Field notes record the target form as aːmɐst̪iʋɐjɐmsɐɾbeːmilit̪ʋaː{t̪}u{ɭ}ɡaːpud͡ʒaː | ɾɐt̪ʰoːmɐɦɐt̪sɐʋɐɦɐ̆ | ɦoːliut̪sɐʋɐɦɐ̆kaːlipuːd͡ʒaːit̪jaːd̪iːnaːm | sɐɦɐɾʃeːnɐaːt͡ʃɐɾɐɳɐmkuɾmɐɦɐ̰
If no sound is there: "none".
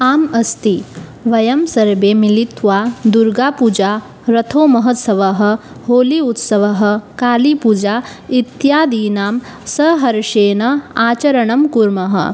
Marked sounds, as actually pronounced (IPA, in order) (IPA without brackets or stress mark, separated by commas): d̪, ɾ